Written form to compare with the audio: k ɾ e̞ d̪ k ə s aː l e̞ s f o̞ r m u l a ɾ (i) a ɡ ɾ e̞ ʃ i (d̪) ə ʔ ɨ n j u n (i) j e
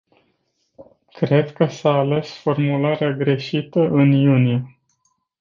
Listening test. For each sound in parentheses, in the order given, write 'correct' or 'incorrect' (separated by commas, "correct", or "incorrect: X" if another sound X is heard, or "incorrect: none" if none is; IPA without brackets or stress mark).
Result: incorrect: e, incorrect: t̪, correct